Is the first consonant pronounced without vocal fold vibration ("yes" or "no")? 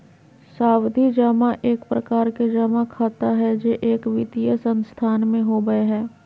yes